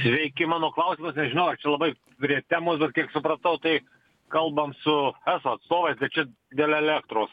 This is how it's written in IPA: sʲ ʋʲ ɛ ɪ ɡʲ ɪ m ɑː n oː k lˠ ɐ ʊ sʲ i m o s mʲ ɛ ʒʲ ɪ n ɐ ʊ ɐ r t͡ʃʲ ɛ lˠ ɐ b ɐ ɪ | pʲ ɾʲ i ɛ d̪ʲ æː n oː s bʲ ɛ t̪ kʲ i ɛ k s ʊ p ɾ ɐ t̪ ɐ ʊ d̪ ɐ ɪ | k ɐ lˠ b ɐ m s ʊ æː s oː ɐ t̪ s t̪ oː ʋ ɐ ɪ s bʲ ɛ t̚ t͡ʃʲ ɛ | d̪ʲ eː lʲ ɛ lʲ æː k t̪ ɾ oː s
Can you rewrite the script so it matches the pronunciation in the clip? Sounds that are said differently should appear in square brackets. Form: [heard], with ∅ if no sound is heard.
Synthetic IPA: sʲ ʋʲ ɛ ɪ [kʲ] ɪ m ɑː n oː k lˠ ɐ ʊ sʲ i m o s [nʲ] ɛ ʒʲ ɪ n ɐ ʊ ɐ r t͡ʃʲ ɛ lˠ ɐ b ɐ ɪ | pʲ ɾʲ i ɛ [t̪ʲ] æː [m] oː s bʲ ɛ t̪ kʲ i ɛ k s ʊ p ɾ ɐ t̪ ɐ ʊ [t̪] ɐ ɪ | k ɐ lˠ b ɐ m s ʊ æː s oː ɐ t̪ s t̪ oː ʋ ɐ ɪ s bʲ ɛ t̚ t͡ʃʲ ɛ | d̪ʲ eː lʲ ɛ lʲ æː k t̪ ɾ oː s